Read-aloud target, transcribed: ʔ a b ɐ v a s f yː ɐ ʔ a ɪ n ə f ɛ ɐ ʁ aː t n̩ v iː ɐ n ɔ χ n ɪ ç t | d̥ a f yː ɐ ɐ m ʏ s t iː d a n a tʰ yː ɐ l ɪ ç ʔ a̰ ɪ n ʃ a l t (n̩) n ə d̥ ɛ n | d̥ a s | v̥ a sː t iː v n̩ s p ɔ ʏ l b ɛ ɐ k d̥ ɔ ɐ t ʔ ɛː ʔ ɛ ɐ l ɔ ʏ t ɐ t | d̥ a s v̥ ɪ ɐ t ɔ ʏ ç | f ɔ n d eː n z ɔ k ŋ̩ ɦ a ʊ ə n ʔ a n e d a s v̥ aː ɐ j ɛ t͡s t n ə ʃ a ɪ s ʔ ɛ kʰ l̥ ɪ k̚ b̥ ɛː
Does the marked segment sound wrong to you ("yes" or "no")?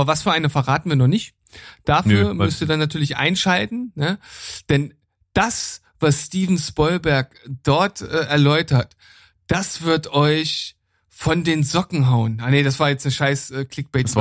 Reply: no